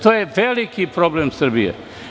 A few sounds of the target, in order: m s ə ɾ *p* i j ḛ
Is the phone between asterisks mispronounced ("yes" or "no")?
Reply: yes